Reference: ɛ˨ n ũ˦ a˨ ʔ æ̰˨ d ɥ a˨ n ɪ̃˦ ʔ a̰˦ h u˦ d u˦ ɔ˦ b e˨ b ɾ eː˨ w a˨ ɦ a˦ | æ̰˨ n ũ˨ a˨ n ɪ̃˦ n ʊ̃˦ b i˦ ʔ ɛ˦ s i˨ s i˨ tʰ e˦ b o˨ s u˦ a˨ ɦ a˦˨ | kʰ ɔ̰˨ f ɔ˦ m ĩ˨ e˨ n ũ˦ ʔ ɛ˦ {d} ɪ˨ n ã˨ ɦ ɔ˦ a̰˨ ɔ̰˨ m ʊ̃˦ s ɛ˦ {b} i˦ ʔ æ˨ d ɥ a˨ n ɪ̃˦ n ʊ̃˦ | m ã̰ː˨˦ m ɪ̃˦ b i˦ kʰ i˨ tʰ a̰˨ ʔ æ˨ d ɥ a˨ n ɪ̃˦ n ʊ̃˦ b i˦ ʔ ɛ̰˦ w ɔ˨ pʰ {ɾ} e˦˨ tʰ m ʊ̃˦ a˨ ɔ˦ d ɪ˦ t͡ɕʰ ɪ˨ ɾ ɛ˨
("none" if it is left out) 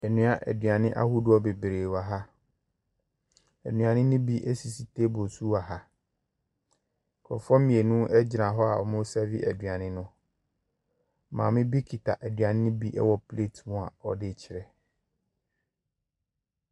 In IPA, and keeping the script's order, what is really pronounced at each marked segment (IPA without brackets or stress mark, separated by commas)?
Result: d͡ʑ, v, l